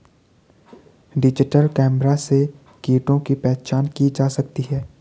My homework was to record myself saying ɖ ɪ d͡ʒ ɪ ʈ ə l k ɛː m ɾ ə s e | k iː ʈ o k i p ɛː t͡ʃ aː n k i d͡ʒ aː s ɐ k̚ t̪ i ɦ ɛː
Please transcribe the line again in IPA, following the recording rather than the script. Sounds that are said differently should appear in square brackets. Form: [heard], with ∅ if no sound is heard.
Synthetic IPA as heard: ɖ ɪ d͡ʒ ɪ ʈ ə l k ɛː m ɾ [a] s e | k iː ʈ [õ] k i p ɛː t͡ʃ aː n k i d͡ʒ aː s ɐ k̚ t̪ i ɦ ɛː